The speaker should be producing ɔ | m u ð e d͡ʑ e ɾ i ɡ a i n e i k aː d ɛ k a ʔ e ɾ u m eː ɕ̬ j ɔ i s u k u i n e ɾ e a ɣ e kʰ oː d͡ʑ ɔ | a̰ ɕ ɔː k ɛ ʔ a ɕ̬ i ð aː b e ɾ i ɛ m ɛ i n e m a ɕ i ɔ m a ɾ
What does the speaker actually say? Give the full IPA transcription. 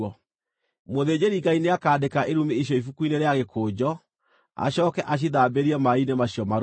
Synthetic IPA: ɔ | m o ð e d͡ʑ e ɾ i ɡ a i n e a k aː d e k a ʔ e ɾ u m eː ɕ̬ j ɔ i f u k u i n e ɾ e a ɣ e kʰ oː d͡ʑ ɔ | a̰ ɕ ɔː k ɛ ʔ a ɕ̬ i ð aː b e ɾ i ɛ m a i n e m a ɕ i ɔ m a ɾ